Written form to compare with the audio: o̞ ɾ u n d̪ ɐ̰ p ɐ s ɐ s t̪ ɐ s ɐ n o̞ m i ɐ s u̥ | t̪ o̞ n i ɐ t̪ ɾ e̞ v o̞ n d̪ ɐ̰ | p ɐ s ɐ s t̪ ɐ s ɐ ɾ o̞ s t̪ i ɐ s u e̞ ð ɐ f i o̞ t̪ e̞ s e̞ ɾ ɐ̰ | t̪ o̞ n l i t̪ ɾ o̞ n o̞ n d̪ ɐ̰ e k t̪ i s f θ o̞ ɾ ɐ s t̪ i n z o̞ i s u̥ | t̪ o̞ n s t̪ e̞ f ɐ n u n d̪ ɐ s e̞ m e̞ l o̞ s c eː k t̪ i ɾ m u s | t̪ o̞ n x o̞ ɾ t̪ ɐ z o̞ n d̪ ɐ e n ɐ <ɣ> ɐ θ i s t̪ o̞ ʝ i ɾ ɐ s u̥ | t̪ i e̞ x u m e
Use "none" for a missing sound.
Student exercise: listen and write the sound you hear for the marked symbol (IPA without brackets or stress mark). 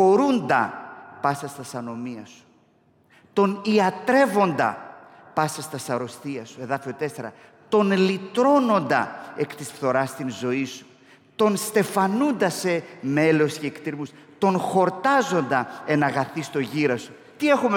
ɣ